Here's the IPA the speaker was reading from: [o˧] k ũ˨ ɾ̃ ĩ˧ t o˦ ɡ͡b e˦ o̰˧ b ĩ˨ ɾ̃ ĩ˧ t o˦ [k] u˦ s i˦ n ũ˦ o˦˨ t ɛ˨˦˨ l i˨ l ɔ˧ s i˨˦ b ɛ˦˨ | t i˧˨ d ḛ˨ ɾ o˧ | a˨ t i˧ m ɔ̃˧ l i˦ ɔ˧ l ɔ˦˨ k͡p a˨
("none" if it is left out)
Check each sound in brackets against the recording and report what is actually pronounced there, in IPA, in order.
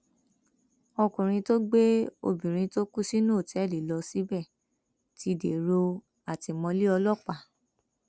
ɔ˧, k

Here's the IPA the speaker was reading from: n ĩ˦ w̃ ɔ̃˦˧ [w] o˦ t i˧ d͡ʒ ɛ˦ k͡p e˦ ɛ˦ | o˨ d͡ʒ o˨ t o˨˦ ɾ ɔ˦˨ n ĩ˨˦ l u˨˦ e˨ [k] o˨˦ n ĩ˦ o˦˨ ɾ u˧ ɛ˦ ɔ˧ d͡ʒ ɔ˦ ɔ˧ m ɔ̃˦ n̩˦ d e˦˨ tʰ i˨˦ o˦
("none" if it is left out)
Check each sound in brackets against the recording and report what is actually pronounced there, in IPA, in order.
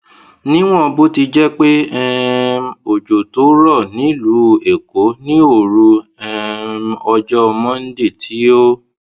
b, k

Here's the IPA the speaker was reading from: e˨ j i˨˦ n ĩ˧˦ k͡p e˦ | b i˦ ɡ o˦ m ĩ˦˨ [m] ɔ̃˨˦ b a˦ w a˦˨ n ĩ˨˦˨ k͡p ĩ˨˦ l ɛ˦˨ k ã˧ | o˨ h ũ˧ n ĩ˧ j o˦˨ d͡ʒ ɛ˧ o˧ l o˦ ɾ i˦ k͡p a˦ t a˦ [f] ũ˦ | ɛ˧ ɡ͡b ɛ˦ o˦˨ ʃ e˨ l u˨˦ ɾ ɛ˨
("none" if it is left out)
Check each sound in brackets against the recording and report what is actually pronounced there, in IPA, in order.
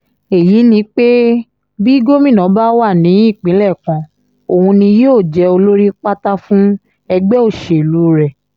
n, f

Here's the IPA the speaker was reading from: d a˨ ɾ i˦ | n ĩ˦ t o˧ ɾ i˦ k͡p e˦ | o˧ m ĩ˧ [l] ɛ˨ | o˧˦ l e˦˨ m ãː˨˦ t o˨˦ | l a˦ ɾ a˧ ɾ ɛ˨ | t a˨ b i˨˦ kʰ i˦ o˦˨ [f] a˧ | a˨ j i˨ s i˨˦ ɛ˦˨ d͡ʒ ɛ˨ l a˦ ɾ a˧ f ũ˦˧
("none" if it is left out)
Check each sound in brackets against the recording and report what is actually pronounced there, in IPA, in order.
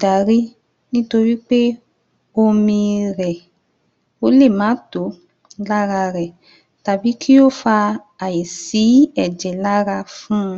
ɾ, f

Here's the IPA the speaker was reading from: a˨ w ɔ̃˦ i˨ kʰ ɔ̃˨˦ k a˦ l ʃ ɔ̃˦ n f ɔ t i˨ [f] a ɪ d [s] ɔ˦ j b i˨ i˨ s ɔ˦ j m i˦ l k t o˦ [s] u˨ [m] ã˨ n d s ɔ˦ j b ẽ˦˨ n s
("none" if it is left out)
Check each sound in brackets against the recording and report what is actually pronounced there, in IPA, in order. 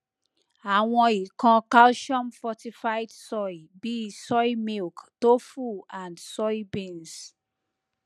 f, s, f, none

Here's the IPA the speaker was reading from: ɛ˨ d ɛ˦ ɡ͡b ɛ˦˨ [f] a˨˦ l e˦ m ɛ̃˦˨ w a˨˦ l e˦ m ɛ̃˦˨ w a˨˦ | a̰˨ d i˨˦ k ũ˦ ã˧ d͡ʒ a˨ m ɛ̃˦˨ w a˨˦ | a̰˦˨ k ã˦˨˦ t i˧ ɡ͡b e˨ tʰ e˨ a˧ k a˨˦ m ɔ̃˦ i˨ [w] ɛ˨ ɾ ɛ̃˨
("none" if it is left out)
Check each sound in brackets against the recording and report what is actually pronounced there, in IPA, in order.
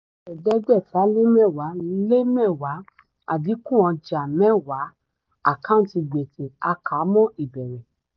f, b

